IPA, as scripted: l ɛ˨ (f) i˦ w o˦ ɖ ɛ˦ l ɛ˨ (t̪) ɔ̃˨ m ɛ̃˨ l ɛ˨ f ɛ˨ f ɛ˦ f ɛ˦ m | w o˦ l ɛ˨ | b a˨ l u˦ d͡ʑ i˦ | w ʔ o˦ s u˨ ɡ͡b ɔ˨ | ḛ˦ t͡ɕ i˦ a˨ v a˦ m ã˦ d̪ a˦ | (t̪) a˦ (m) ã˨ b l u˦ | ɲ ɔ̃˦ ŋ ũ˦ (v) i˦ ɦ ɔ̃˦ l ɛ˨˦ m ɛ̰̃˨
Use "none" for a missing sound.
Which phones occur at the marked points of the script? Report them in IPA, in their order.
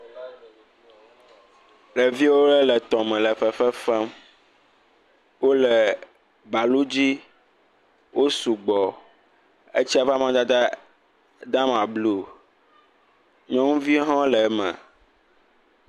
v, t̪, d̪, m, v

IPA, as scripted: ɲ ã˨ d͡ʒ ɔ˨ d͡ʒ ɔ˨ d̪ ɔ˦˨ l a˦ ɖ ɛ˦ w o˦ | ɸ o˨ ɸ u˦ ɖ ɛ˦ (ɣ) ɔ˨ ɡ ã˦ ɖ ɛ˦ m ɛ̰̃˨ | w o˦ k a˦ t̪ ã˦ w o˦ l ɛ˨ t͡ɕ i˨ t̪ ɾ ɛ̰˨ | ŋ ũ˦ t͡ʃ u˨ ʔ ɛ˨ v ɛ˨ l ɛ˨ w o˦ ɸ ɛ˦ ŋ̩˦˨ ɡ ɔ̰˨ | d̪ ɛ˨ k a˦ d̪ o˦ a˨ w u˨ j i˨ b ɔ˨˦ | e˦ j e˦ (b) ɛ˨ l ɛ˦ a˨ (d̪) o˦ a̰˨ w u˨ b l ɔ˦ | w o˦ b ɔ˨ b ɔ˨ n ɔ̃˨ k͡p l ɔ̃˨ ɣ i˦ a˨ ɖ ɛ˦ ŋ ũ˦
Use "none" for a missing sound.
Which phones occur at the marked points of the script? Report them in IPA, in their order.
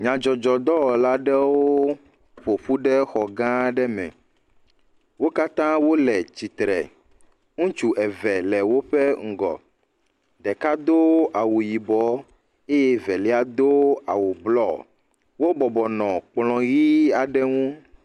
x, v, d̪

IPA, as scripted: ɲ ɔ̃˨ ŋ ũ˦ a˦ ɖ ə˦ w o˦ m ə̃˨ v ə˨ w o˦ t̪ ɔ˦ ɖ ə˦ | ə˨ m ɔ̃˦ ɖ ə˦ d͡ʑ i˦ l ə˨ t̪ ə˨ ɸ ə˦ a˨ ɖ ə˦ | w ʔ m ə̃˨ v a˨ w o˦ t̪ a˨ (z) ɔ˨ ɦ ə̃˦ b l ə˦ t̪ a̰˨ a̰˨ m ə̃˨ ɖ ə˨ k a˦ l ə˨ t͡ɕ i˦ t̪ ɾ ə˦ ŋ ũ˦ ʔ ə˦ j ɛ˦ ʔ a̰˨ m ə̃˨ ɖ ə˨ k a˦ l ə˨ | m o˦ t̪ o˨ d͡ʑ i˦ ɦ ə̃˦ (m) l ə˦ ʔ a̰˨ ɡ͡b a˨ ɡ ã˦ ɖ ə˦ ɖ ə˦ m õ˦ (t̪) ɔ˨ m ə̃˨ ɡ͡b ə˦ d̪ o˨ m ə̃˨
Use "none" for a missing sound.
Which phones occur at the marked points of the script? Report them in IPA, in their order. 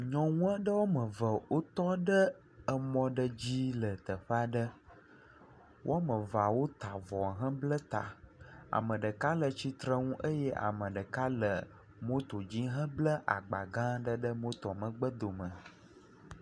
v, b, t̪

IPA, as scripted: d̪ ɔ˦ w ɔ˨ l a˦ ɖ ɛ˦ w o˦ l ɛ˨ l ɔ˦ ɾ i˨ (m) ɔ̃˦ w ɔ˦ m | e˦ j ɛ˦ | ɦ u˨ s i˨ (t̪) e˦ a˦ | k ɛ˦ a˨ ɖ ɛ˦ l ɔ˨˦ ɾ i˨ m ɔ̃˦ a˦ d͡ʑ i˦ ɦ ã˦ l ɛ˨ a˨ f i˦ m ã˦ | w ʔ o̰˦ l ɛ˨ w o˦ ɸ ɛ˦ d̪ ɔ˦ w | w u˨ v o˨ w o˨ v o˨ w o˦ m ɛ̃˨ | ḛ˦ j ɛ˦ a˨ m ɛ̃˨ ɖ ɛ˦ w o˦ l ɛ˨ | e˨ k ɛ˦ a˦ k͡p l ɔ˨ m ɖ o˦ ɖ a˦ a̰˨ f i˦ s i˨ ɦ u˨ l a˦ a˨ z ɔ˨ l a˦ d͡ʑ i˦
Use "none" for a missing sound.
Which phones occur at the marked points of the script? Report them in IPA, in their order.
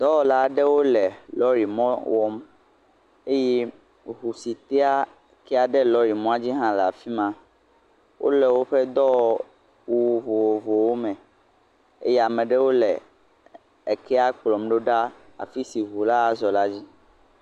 m, t̪

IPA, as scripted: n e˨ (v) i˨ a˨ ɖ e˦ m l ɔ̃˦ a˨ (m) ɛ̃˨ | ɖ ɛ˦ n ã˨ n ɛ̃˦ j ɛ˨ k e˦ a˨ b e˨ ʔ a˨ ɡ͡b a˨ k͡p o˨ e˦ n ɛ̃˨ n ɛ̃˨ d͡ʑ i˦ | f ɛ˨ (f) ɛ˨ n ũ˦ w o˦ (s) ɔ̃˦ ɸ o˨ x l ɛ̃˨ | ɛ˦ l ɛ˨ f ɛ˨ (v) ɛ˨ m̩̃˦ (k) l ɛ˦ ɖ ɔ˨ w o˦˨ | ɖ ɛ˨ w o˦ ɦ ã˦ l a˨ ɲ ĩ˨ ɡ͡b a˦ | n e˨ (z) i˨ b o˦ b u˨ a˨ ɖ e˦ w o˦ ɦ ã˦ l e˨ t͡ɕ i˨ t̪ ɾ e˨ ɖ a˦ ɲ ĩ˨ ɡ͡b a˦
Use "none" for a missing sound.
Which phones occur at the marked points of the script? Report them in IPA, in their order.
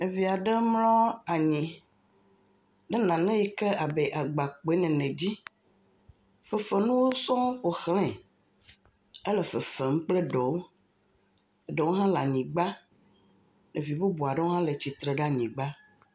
v, ɲ, f, s, f, k͡p, v

